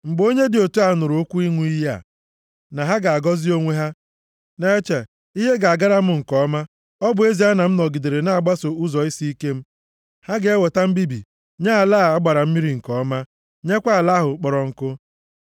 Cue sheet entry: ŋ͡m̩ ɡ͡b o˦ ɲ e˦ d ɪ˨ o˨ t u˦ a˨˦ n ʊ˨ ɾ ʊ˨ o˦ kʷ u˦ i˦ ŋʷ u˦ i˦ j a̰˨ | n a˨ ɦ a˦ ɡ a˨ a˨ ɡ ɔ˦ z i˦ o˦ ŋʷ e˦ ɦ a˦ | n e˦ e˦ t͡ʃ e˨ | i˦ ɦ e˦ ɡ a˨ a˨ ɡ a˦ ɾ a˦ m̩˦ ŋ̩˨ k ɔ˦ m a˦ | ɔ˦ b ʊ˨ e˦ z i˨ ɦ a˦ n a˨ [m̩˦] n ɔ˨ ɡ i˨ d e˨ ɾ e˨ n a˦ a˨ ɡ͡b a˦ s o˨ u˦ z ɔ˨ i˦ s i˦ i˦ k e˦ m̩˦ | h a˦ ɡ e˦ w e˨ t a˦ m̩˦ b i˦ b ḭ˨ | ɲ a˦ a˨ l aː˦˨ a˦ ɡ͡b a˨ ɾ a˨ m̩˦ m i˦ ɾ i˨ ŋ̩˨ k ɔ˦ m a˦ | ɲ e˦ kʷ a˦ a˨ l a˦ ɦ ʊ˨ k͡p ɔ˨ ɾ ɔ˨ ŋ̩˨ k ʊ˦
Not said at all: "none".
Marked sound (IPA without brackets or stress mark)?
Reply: m̩˦